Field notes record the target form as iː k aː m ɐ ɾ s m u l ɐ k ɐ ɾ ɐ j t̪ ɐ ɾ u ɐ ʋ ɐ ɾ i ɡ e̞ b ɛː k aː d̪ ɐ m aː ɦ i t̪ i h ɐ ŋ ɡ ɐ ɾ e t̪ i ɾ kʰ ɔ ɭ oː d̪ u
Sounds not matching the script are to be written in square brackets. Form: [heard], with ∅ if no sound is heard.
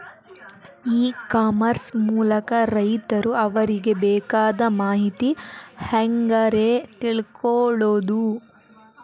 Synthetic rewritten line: iː k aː m ɐ ɾ s m [uː] l ɐ k ɐ ɾ ɐ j t̪ ɐ ɾ u ɐ ʋ ɐ ɾ i ɡ e̞ b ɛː k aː d̪ ɐ m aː ɦ i t̪ i h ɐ ŋ ɡ ɐ ɾ e t̪ i [ɭ] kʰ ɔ ɭ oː d̪ u